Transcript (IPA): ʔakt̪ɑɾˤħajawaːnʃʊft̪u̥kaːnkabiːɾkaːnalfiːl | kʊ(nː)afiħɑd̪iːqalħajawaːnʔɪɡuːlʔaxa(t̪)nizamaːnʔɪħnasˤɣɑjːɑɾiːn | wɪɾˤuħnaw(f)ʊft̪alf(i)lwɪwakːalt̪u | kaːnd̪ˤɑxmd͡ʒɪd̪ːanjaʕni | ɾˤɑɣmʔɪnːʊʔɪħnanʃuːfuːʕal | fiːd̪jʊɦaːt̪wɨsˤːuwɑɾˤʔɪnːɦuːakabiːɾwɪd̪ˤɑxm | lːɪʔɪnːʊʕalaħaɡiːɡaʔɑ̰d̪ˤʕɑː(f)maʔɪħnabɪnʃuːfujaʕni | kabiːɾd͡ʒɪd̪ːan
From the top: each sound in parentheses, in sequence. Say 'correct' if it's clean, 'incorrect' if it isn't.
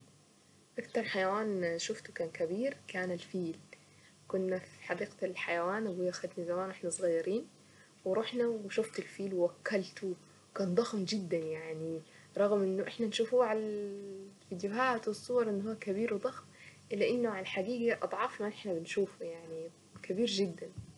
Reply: correct, incorrect, incorrect, incorrect, correct

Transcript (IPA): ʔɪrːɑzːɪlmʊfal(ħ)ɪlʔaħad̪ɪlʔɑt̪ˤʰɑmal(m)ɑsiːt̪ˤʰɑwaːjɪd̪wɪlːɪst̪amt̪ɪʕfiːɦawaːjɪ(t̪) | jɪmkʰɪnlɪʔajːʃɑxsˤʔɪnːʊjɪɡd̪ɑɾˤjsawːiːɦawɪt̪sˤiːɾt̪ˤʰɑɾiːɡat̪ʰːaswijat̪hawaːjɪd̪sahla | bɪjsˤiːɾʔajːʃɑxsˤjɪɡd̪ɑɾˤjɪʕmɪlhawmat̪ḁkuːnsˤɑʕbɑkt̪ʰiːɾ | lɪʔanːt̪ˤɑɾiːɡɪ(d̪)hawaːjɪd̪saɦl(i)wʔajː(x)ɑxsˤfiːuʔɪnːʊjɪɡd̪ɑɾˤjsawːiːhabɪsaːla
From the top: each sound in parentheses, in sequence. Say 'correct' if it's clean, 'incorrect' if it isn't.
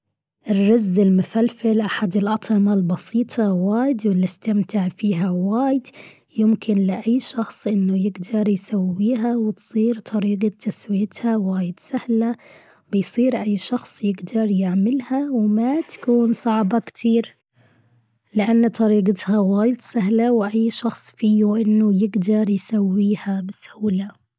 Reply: incorrect, incorrect, incorrect, incorrect, incorrect, incorrect

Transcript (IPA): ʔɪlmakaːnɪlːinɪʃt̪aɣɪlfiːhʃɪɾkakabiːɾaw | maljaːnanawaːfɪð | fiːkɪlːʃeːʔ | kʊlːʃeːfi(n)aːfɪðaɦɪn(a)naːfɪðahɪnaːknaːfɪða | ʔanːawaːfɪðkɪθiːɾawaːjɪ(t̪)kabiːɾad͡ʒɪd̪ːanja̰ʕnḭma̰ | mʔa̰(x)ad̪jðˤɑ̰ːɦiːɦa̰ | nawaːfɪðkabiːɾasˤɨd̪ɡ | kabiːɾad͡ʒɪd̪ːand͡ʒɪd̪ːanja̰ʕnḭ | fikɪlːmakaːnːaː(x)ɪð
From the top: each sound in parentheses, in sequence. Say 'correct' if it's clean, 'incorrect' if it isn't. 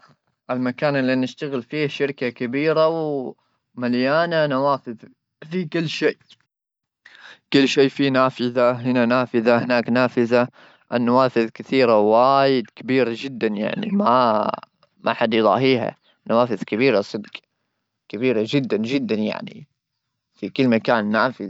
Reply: correct, correct, incorrect, incorrect, incorrect

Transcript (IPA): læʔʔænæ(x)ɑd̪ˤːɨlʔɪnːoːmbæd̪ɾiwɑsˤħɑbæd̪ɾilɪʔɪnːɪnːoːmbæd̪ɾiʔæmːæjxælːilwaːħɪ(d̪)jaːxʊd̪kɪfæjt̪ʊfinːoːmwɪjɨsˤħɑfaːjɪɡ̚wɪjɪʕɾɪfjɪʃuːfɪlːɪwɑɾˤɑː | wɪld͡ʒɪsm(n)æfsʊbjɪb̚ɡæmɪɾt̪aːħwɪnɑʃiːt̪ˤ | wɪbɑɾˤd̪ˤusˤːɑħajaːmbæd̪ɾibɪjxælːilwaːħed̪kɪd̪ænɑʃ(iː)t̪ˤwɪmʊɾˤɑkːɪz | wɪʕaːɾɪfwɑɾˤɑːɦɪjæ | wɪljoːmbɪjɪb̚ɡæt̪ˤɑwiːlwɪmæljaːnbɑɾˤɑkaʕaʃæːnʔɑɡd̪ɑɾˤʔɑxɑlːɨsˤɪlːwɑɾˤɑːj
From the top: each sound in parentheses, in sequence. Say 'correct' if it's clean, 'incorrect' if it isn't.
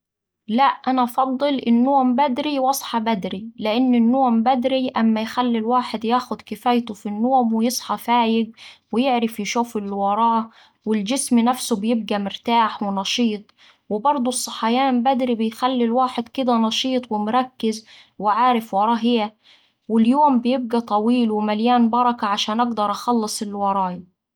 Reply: incorrect, correct, correct, correct

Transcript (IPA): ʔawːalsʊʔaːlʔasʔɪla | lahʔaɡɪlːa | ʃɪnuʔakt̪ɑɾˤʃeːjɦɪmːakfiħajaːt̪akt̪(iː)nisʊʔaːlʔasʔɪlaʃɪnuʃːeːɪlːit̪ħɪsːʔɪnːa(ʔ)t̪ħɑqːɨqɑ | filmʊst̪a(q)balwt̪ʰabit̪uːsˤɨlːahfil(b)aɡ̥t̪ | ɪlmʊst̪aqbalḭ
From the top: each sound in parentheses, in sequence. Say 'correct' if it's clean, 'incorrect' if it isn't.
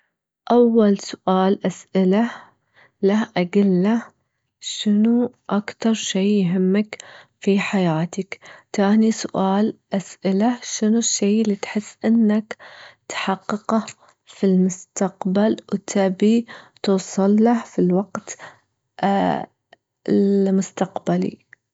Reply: incorrect, incorrect, correct, incorrect

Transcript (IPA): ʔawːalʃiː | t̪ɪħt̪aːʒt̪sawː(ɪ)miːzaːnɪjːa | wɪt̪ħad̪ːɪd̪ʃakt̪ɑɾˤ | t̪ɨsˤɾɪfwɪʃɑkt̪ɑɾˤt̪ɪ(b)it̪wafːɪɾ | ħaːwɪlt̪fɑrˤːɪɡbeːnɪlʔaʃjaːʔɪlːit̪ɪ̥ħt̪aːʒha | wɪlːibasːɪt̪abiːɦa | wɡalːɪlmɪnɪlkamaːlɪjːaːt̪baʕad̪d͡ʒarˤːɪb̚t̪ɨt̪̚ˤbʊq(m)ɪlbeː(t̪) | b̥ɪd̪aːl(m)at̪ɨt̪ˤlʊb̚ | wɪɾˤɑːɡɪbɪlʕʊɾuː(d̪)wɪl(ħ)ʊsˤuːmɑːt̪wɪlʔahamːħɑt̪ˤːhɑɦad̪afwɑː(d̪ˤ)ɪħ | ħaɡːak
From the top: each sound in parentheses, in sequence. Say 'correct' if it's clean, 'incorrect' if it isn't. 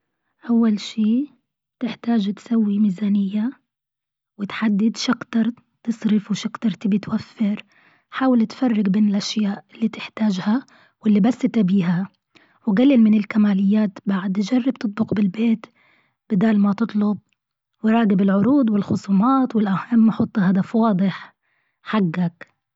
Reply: incorrect, correct, incorrect, correct, correct, correct, incorrect, correct

